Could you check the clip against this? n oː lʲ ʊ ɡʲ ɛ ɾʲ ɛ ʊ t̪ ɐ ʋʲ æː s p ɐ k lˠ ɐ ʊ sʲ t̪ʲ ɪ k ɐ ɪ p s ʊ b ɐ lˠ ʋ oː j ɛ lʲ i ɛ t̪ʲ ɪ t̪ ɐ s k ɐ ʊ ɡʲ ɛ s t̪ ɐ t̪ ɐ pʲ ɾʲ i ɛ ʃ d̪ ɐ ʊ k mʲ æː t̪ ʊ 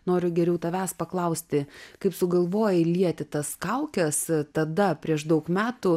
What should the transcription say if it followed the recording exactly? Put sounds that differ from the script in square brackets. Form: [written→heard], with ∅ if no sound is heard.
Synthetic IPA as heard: n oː [lʲ→ɾʲ] ʊ ɡʲ ɛ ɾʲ ɛ ʊ t̪ ɐ ʋʲ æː s p ɐ k lˠ ɐ ʊ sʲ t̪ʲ ɪ k ɐ ɪ p s ʊ [b→ɡ] ɐ lˠ ʋ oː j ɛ lʲ i ɛ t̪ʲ ɪ t̪ ɐ s k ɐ ʊ [ɡʲ→kʲ] ɛ s t̪ ɐ [t̪→d̪] ɐ pʲ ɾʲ i ɛ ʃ d̪ ɐ ʊ k mʲ æː t̪ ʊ